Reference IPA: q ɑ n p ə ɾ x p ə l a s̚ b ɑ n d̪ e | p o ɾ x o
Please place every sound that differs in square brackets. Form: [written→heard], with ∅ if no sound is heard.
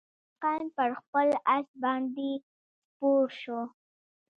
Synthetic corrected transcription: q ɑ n p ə ɾ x p ə l a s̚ b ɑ n d̪ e | p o ɾ [x→ʃ] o